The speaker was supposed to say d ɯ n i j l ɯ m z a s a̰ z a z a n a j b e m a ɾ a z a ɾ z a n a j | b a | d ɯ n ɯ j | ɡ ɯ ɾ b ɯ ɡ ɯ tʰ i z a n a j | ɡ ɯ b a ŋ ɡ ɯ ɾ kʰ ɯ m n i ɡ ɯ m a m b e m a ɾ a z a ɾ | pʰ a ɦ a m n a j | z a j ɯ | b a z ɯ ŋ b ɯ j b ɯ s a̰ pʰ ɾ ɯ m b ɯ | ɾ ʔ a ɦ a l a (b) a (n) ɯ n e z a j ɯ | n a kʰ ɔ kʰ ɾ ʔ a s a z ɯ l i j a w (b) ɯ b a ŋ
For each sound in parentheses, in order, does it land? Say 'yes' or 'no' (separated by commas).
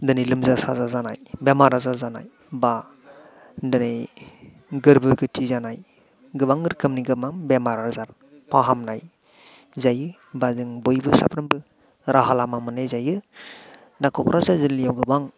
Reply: no, no, no